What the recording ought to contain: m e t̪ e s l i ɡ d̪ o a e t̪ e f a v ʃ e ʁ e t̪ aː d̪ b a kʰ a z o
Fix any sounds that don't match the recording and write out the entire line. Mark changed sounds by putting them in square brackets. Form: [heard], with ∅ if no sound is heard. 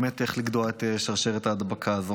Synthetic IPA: m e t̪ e [χ] l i ɡ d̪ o a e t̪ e [ʃ] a [ʁ] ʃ e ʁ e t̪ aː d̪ b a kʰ a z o